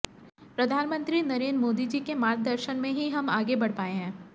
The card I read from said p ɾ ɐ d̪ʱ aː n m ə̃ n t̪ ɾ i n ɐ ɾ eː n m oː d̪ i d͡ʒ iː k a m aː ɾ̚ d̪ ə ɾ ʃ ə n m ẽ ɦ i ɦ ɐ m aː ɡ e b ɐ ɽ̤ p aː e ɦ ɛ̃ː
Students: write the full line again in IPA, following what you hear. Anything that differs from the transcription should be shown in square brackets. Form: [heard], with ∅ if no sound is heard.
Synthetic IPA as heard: p ɾ ɐ d̪ʱ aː n m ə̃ n t̪ ɾ i n ɐ ɾ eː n m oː d̪ i d͡ʒ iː k [e] m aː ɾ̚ d̪ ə ɾ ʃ ə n m ẽ ɦ i ɦ ɐ m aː ɡ e b ɐ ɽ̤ p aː e ɦ ɛ̃ː